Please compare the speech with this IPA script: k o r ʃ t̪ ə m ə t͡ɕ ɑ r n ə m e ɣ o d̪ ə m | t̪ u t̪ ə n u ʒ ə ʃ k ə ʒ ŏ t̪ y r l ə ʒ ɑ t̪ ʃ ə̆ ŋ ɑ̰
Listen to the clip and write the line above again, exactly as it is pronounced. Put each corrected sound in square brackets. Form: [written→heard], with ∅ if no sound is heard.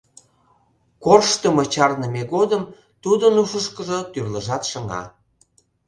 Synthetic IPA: k o r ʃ t̪ ə m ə t͡ɕ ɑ r n ə m e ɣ o d̪ ə m | t̪ u [t̪→d̪] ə n u [ʒ→ʃ] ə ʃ k ə ʒ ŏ t̪ y r l ə ʒ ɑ t̪ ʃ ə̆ ŋ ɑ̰